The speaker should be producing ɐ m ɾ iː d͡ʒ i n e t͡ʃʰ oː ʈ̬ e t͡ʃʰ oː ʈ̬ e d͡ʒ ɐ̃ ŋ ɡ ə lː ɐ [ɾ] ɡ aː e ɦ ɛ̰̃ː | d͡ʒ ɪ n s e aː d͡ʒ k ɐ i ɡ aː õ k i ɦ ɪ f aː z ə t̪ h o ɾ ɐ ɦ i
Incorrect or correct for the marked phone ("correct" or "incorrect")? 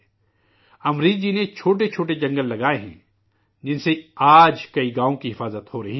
incorrect